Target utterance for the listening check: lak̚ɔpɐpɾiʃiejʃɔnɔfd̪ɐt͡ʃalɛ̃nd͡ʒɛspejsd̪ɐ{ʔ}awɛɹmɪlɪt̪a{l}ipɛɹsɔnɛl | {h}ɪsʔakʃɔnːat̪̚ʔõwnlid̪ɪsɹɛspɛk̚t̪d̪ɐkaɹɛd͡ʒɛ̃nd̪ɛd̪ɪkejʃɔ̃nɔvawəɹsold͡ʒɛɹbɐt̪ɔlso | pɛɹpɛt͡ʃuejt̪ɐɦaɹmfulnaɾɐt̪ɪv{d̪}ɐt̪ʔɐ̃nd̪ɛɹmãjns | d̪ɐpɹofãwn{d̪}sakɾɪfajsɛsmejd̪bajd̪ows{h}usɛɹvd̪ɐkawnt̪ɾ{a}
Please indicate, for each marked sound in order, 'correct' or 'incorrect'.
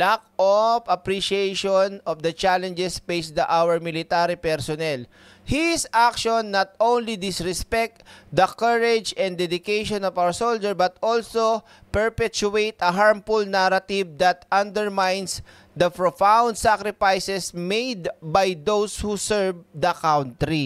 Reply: correct, incorrect: ɾ, correct, correct, correct, correct, incorrect: i

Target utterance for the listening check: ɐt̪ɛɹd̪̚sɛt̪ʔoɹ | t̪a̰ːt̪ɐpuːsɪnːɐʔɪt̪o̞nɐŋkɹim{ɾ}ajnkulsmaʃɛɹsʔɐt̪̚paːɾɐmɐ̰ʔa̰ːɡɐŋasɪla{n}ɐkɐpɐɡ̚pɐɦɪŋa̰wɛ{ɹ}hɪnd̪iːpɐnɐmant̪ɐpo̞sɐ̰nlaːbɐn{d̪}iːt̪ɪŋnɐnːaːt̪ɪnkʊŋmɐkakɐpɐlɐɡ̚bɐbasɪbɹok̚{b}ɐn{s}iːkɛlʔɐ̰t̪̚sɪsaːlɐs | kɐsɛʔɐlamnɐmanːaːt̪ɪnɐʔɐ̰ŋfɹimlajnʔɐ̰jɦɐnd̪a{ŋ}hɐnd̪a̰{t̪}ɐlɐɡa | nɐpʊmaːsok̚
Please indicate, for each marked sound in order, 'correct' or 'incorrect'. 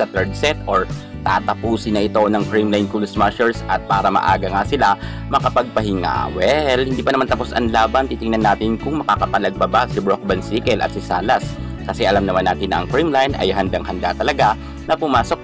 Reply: incorrect: l, incorrect: m, incorrect: l, incorrect: t̪, correct, correct, correct, correct

